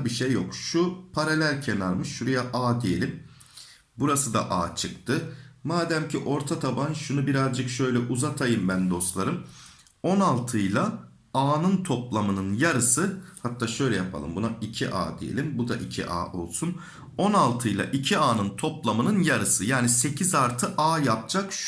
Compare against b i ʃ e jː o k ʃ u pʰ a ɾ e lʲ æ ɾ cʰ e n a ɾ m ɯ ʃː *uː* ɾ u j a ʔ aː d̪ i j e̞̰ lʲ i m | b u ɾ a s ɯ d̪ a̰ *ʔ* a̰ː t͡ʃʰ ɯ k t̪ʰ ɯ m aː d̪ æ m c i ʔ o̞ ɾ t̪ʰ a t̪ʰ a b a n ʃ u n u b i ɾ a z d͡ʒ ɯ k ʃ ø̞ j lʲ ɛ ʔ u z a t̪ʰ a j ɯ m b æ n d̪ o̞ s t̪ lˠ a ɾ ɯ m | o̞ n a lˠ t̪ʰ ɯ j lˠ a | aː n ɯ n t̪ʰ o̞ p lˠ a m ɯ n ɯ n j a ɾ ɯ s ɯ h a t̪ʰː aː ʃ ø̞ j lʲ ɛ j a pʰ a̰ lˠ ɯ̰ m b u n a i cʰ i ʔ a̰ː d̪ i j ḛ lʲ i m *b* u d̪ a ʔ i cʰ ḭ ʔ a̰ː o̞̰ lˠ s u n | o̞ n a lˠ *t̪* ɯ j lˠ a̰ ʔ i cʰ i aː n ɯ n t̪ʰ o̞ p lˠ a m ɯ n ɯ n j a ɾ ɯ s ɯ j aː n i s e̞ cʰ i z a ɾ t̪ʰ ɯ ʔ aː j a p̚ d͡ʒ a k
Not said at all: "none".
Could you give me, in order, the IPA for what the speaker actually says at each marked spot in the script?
u, ʔ, b, t̪ʰ

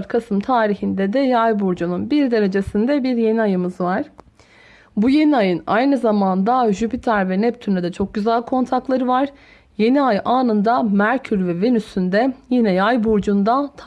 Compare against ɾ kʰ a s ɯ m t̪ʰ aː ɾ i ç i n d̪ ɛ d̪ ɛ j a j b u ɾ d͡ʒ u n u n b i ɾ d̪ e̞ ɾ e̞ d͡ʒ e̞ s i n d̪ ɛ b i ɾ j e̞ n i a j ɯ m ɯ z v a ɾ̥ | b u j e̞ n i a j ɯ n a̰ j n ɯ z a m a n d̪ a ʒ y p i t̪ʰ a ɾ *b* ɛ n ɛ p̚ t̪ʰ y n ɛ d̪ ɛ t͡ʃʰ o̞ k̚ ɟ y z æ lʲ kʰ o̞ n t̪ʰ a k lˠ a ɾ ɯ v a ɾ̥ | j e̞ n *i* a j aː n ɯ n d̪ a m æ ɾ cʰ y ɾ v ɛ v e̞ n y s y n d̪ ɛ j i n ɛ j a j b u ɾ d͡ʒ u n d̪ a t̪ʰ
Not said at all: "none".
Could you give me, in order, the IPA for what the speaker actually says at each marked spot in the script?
v, i

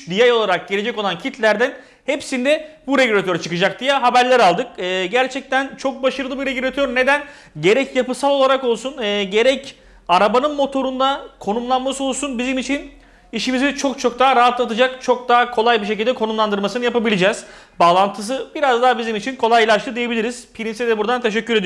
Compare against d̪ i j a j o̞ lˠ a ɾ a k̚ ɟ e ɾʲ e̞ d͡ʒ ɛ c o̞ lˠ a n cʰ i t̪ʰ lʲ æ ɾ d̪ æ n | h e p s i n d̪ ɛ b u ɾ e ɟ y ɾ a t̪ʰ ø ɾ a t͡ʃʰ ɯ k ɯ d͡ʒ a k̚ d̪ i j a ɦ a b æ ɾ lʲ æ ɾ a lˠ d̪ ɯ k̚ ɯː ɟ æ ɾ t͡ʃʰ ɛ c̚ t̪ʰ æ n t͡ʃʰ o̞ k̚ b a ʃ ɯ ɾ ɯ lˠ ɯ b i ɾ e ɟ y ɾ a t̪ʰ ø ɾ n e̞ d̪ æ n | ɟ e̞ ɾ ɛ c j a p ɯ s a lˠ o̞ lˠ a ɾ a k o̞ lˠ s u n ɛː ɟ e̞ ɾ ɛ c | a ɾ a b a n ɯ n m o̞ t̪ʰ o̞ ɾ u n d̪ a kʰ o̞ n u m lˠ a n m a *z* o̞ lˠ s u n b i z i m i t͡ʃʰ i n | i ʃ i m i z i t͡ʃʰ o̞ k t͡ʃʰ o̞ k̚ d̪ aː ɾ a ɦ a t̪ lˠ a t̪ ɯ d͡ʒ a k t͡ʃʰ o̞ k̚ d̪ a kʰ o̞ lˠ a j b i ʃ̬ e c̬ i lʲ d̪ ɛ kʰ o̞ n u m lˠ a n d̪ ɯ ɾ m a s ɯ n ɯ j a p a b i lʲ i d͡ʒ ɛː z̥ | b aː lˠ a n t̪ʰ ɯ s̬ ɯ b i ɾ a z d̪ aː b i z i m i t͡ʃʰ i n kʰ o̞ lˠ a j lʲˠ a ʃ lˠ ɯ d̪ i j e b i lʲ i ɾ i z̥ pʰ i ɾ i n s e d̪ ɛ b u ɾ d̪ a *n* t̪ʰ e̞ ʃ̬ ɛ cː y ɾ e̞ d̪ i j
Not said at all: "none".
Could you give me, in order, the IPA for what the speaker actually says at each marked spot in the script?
s, n

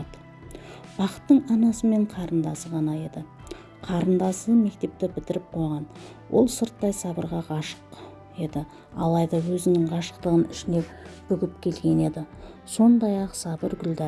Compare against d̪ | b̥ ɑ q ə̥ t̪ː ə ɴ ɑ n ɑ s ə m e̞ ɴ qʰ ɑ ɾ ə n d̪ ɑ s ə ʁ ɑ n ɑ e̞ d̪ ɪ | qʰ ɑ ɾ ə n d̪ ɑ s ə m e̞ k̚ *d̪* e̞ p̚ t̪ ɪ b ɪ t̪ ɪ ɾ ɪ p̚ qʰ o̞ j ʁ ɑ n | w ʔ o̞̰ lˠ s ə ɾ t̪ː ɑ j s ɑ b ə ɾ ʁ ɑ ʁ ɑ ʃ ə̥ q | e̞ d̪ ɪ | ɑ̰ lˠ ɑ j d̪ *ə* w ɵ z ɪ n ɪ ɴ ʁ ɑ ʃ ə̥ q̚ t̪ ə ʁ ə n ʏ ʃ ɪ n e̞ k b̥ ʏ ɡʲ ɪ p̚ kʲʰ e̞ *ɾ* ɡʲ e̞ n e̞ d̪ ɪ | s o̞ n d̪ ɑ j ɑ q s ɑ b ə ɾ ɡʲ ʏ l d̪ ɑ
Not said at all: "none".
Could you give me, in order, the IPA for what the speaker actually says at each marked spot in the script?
t̪, ɑ, l

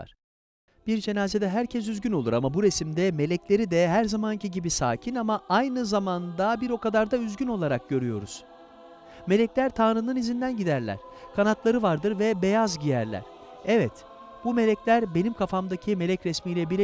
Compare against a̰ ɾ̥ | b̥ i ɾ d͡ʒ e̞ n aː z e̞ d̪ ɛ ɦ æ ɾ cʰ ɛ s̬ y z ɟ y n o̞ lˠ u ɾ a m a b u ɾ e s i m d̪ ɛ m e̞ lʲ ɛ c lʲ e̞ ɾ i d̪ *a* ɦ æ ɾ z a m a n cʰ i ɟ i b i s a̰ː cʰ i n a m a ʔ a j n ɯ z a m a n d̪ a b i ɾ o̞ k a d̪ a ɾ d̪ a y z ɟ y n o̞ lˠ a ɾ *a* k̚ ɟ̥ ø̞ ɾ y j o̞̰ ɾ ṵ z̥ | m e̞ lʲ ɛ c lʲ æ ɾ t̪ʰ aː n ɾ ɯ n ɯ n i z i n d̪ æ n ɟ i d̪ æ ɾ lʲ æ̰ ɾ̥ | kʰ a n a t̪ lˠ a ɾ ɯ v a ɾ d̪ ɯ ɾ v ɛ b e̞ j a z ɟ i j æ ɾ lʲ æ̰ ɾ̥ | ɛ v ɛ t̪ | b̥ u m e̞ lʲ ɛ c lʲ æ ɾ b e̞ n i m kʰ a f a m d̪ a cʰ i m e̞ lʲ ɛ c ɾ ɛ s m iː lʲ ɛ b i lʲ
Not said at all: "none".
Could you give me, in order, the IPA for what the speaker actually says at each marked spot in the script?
ɛ, a

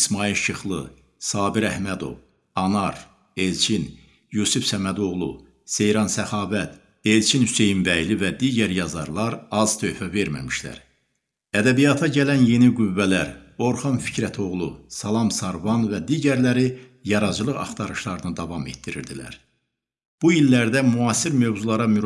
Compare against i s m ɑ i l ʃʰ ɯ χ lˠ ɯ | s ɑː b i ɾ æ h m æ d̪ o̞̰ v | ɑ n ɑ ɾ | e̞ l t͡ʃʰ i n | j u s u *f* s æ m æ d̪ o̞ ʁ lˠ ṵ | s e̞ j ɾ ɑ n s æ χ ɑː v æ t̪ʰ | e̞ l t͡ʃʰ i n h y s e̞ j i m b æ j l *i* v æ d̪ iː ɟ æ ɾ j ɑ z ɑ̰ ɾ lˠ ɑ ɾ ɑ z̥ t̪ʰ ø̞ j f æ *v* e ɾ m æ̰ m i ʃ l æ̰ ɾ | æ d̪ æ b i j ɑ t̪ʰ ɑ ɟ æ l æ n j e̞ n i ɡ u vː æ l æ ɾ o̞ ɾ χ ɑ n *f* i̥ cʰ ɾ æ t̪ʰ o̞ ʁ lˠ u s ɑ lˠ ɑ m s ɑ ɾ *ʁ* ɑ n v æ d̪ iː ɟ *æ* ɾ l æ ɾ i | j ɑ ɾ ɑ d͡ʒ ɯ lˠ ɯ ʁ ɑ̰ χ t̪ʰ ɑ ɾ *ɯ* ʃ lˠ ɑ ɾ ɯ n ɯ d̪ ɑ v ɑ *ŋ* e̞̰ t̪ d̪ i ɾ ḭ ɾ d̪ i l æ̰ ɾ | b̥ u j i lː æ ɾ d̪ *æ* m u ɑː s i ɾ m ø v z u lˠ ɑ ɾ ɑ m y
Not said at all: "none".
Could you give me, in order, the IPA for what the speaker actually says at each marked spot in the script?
f, i, v, f, v, æ, ɯ, m, æ

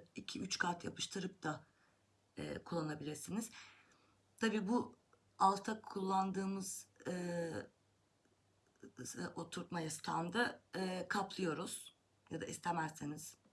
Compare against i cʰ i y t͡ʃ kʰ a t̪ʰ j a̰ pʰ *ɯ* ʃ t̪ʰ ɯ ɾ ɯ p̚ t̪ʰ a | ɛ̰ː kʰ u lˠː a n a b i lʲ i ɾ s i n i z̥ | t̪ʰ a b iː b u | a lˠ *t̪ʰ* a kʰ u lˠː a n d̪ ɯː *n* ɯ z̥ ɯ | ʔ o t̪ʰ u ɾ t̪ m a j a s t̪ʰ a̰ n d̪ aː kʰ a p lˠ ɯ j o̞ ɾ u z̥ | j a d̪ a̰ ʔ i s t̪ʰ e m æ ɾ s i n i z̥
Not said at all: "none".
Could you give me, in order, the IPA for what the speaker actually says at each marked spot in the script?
ɯ, t̪ʰ, m

